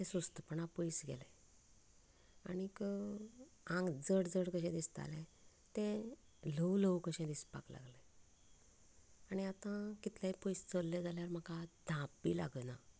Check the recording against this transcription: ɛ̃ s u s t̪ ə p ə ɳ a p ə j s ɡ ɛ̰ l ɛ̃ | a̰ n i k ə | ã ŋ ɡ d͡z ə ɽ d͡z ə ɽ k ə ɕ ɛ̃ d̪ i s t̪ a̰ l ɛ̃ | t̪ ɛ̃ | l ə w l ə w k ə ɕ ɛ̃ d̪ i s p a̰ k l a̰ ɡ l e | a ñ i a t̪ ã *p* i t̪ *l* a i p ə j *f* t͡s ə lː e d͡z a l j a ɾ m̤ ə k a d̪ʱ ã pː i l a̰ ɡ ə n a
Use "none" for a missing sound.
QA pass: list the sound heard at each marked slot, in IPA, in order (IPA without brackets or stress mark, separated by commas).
k, l, s